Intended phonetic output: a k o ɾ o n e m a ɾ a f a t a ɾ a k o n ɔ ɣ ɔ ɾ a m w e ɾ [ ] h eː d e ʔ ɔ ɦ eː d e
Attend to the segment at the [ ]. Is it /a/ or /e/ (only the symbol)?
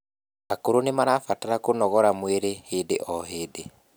e